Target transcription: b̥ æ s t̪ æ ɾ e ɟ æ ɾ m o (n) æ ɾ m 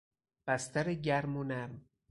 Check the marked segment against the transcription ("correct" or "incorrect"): correct